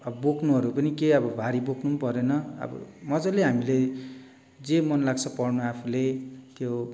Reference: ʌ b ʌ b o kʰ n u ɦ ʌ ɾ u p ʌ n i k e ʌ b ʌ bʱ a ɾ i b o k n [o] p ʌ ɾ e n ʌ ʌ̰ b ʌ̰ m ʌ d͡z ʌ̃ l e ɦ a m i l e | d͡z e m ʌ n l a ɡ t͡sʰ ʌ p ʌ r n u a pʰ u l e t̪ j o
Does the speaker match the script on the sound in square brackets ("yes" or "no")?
no